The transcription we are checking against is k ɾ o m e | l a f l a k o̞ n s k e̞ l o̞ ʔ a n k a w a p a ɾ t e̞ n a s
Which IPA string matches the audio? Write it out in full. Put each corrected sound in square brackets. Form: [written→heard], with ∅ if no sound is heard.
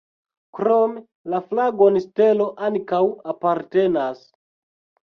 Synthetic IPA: k ɾ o m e | l a f l a [k→ɡ] o̞ n s [k→t] e̞ l o̞ ʔ a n k a w a p a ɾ t e̞ n a s